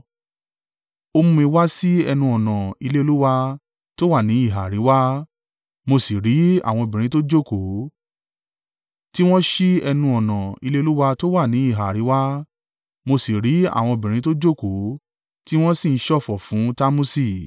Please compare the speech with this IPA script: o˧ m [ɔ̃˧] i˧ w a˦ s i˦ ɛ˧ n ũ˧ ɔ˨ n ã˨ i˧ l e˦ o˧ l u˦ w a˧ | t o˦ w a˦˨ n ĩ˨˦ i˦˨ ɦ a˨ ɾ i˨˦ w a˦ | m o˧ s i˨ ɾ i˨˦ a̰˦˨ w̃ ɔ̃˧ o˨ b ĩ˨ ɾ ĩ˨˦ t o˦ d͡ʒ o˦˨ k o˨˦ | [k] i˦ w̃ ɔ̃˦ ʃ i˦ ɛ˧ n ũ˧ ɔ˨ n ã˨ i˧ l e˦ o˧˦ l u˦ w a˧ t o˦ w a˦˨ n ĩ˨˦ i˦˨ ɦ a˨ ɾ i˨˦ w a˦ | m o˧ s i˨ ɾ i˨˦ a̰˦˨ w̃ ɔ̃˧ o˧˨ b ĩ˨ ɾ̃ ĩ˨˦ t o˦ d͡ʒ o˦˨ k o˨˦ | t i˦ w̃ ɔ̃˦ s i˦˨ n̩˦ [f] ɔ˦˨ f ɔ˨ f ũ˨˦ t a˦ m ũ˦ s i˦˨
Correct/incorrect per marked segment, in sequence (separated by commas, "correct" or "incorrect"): incorrect, incorrect, incorrect